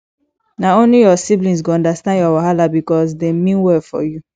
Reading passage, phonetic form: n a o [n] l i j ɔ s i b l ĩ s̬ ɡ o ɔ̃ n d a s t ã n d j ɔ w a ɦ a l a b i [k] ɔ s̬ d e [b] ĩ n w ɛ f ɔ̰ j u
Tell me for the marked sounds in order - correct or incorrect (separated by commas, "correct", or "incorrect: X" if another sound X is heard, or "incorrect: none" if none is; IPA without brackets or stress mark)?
correct, correct, incorrect: m